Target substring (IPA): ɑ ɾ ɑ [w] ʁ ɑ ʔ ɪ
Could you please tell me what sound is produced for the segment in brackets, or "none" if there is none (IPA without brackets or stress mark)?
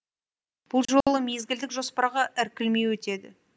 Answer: none